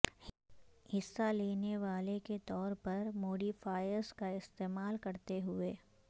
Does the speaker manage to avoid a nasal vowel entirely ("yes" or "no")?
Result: yes